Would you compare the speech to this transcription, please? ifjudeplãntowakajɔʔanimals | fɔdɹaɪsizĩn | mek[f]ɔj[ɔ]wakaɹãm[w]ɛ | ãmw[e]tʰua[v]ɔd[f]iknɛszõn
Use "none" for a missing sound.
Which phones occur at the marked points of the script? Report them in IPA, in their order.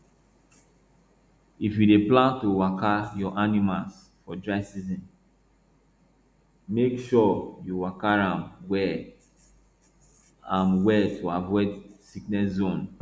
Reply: ʃ, u, w, ɛ, v, s

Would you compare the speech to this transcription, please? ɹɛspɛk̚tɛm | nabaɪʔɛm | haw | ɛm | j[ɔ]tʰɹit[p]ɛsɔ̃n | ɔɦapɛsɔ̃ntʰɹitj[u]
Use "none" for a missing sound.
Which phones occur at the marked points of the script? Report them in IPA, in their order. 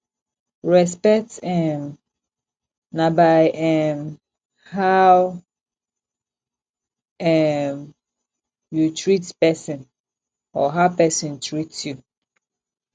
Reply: u, p, u

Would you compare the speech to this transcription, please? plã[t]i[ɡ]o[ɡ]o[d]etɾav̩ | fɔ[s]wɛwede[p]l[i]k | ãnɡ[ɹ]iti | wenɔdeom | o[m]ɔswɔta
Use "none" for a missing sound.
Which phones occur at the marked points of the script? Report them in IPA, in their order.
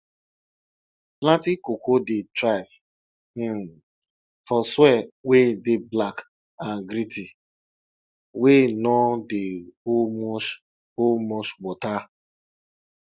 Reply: t, k, k, d, s, b, a, ɾ, m

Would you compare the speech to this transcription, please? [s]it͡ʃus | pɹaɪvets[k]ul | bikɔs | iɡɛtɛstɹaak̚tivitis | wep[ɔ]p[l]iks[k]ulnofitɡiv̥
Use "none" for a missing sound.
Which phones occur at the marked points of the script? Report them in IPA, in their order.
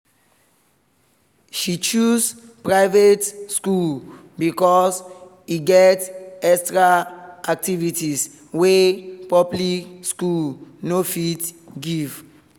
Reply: ʃ, k, ɔ, l, k

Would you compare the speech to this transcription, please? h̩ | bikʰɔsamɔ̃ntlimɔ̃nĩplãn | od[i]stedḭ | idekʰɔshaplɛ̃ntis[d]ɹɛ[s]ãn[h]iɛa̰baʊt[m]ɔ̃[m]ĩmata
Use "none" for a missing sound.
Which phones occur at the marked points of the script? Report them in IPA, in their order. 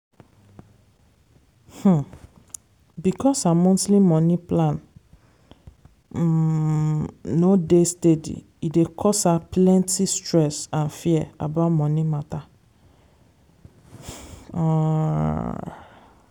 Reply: e, t, s, f, m, n

